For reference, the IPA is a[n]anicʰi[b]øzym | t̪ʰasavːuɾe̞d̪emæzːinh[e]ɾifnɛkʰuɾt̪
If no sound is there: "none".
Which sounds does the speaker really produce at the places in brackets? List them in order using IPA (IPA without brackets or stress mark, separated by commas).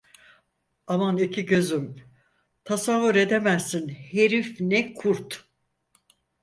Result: m, ɟ, e